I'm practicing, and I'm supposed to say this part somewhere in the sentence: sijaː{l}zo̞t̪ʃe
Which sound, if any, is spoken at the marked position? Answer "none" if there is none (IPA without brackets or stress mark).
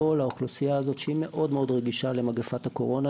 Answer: none